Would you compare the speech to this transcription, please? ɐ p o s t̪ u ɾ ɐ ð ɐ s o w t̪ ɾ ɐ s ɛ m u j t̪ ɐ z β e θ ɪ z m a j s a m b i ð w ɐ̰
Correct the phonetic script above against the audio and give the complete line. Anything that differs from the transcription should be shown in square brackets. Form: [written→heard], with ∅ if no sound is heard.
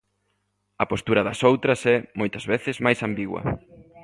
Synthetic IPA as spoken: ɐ p o s t̪ u ɾ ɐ ð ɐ s o w t̪ ɾ ɐ s ɛ m [u→o] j t̪ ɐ z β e θ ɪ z m a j s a m b i [ð→ɣ] w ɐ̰